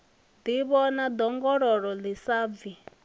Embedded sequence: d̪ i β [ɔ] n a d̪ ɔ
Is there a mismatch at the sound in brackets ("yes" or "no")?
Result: no